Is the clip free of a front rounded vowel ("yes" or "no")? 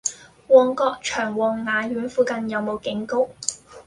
no